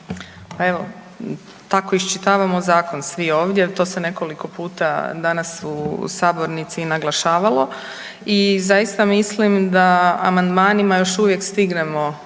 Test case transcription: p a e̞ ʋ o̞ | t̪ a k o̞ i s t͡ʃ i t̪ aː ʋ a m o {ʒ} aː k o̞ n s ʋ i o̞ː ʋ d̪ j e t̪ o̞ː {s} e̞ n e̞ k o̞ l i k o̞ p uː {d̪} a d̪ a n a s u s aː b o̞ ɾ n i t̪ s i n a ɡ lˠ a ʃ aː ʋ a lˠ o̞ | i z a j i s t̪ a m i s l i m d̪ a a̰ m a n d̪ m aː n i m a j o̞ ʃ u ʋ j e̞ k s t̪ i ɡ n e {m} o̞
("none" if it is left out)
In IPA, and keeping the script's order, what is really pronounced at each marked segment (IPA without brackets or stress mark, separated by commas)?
z, s, t̪, m